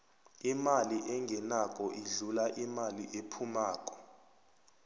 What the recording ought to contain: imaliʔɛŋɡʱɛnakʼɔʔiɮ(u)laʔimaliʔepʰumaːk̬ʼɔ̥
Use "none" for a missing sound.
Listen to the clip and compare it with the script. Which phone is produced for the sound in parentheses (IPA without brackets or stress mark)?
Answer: u